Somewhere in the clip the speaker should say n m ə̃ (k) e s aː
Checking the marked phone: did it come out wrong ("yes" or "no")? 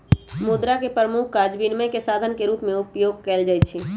no